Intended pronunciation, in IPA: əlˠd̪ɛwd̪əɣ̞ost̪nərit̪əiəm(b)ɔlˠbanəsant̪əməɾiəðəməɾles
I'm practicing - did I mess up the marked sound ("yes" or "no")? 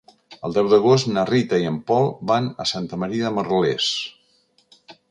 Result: yes